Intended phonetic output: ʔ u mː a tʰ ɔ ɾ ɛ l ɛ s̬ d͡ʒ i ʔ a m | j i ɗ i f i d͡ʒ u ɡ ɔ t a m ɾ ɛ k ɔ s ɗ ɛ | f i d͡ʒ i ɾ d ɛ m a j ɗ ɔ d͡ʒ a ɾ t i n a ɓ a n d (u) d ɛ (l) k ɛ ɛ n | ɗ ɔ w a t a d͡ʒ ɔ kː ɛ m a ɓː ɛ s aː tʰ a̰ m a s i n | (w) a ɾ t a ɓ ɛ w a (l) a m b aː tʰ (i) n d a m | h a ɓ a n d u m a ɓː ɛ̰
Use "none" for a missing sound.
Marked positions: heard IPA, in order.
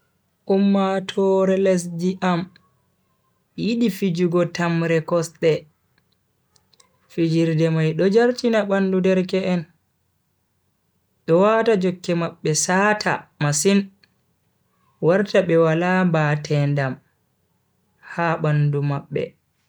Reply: u, ɾ, w, l, ɛ

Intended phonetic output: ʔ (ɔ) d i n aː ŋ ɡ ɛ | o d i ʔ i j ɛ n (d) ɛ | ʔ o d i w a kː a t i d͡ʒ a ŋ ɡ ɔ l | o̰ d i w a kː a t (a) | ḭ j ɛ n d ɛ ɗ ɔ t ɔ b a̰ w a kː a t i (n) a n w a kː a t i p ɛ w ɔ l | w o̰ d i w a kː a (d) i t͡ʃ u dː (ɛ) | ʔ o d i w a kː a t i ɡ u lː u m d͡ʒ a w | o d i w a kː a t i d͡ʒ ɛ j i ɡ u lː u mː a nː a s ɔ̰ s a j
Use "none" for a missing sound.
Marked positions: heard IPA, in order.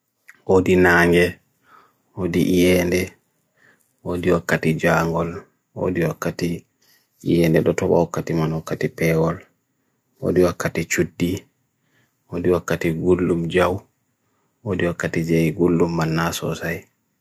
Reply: o, d, i, m, t, i

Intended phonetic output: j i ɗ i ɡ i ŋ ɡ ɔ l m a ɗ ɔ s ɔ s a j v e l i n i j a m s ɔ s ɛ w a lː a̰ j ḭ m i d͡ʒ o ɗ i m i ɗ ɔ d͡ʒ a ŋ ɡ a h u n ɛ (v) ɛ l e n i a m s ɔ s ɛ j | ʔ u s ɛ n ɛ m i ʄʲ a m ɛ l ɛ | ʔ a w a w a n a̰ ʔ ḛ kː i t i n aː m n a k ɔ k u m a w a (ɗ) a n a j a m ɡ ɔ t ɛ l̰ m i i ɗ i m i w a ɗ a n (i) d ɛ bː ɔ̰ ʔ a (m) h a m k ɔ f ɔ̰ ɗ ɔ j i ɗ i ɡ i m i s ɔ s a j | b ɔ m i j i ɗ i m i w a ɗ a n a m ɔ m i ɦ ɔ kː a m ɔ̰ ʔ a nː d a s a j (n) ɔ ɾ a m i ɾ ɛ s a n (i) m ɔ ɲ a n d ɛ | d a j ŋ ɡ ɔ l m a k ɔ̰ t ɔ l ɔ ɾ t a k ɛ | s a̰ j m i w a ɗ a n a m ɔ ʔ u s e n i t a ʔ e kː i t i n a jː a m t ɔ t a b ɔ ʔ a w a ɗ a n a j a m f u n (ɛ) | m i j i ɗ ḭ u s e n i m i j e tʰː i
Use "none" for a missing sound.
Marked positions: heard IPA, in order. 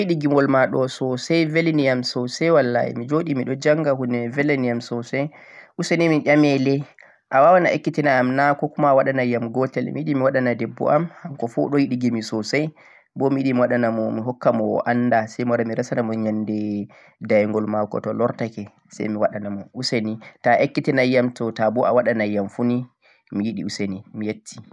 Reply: v, ɗ, a, m, m, a, i

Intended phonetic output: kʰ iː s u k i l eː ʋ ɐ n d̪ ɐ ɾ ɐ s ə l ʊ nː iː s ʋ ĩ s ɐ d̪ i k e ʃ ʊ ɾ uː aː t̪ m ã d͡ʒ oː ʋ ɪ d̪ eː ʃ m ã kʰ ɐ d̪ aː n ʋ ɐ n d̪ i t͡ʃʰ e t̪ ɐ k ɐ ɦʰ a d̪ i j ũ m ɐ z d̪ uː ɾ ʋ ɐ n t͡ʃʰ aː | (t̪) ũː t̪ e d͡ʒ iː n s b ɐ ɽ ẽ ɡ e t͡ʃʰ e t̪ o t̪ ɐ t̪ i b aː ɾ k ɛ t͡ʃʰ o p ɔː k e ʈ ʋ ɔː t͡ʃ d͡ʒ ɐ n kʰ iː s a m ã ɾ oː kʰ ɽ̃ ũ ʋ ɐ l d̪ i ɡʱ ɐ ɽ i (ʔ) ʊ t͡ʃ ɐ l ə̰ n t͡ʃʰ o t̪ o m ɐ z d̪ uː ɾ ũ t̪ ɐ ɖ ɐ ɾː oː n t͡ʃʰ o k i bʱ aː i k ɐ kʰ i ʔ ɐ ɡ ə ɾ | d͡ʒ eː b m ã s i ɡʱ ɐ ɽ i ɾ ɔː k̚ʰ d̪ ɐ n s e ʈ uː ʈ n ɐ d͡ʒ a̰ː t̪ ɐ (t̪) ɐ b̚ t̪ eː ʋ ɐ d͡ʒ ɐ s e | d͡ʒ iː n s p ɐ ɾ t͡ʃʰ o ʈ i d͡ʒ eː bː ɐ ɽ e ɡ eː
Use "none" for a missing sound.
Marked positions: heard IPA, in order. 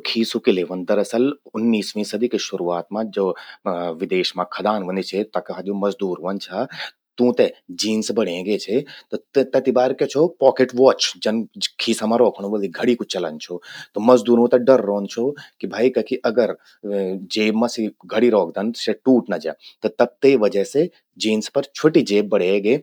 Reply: t̪, k, t̪

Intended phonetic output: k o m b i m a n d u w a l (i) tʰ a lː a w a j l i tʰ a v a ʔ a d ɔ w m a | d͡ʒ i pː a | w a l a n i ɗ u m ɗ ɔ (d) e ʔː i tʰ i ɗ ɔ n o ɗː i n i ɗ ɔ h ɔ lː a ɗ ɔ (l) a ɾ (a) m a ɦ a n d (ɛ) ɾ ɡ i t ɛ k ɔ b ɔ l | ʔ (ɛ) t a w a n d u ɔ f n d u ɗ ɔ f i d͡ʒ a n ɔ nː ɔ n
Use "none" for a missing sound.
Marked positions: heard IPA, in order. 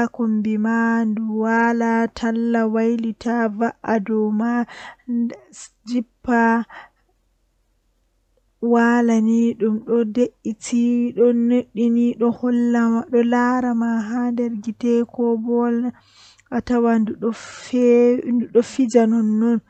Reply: a, d, l, a, ɛ, a

